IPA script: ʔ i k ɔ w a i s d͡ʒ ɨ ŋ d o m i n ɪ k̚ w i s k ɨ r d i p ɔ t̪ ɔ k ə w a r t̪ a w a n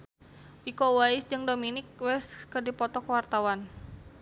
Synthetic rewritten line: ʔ i k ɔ w a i s d͡ʒ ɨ ŋ d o m i n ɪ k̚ w ɛ s k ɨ r d i p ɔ t̪ ɔ k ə w a r t̪ a w a n

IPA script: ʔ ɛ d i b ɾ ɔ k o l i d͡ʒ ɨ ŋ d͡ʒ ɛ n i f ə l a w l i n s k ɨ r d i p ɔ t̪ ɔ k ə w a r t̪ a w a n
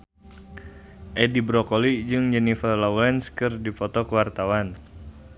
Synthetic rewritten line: ʔ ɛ d i b ɾ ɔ k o l i d͡ʒ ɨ ŋ d͡ʒ ɛ n i f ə l a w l ɛ n s k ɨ r d i p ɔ t̪ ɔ k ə w a r t̪ a w a n

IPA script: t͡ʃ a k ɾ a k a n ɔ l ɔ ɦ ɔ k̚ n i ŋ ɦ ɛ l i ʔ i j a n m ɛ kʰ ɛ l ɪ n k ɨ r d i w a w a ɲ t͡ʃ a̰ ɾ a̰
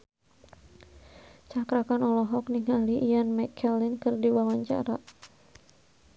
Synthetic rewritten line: t͡ʃ a k ɾ a k a n ɔ l ɔ ɦ ɔ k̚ n i ŋ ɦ a l i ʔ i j a n m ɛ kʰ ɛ l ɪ n k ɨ r d i w a w a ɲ t͡ʃ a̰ ɾ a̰

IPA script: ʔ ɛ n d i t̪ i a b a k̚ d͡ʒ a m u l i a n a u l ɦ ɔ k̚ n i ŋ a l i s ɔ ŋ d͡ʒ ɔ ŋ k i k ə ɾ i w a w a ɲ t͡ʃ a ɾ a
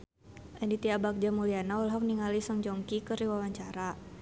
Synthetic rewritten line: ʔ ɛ n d i t̪ i a b a k̚ d͡ʒ a m u l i a n a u l ɦ ɔ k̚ n i ŋ a l i s ɔ ŋ d͡ʒ ɔ ŋ k i k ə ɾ i w a w a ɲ t͡ʃ a ɾ a

